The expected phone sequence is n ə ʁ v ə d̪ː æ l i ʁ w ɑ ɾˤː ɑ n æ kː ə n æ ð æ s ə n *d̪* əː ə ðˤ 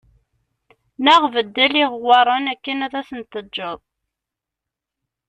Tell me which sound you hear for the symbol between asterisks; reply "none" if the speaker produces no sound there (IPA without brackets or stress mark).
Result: t̪